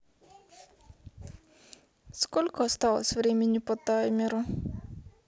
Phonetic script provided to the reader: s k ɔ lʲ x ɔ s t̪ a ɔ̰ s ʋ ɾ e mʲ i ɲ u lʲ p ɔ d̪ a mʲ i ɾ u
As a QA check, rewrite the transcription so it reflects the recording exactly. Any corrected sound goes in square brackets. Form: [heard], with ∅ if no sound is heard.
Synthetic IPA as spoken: s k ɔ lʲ [k] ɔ s t̪ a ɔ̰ s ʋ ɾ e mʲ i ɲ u [∅] p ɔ [t̪] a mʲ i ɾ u